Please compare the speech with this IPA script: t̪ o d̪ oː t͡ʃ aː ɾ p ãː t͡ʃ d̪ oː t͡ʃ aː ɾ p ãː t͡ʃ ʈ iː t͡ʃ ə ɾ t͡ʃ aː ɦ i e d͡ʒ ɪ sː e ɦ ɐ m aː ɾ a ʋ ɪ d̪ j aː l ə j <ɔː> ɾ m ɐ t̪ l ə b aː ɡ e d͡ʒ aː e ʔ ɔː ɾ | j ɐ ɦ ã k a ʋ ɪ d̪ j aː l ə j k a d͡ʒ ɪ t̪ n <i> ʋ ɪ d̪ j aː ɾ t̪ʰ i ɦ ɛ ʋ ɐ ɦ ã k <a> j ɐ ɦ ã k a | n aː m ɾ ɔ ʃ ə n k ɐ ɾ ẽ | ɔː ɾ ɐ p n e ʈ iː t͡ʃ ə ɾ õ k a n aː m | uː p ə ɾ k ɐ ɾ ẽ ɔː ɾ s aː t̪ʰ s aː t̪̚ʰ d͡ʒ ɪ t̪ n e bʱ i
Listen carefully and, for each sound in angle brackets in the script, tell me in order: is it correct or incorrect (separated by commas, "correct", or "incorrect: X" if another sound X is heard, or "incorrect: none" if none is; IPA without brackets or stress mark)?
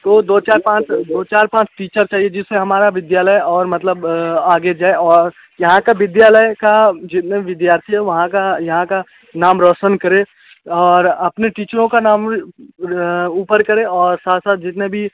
correct, incorrect: e, correct